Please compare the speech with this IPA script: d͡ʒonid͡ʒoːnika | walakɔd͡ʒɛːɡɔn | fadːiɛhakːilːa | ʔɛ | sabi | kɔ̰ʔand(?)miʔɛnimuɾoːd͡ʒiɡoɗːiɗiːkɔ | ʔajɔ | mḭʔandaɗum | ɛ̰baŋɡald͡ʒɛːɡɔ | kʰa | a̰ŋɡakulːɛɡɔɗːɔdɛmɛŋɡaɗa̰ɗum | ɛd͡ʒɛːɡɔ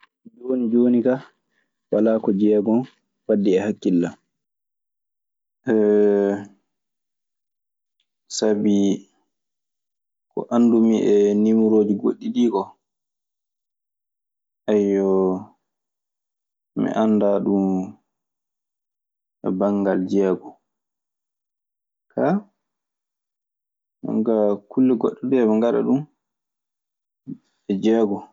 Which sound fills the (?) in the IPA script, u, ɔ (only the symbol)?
u